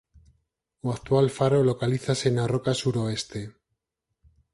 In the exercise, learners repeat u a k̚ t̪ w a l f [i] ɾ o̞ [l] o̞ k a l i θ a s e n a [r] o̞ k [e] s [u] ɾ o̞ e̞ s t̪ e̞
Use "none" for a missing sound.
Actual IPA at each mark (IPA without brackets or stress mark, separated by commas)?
a, l, r, a, u